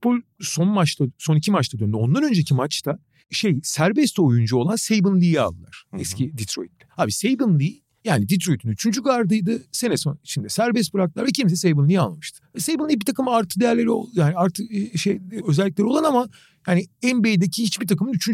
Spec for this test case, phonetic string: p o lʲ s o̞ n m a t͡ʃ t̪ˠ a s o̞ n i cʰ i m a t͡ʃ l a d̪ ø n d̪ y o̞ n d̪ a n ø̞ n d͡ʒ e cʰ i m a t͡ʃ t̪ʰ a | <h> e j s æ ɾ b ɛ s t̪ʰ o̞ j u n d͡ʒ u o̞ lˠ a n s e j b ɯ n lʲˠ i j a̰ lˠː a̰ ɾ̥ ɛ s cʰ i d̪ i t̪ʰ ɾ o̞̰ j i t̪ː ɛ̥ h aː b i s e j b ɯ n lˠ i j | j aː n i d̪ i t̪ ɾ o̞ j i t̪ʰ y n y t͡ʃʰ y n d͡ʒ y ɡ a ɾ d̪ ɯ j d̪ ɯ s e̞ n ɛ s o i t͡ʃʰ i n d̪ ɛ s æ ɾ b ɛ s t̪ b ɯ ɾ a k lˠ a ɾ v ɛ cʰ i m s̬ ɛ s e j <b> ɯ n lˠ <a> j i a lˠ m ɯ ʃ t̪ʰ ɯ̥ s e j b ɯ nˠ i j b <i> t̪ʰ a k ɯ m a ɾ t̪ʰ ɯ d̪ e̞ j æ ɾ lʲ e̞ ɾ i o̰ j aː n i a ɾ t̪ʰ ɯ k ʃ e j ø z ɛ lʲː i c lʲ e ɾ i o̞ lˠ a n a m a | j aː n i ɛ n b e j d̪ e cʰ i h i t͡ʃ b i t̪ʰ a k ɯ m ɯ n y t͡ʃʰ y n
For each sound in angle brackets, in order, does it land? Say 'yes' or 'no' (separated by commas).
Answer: no, yes, no, yes